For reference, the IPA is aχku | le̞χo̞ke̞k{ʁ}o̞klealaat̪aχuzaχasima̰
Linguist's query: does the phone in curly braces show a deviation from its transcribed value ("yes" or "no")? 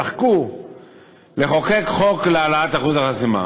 yes